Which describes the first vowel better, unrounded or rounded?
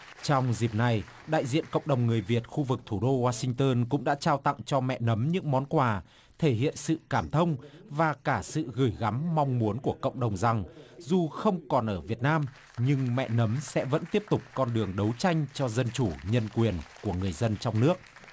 rounded